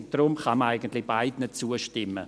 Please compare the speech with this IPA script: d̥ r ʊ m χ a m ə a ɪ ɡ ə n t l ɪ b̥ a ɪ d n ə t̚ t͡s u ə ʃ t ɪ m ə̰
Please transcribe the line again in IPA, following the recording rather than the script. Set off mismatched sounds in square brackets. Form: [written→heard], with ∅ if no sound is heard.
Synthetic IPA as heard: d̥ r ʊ m χ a m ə a ɪ ɡ ə n t l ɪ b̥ a ɪ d n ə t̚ t͡s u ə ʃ t ɪ m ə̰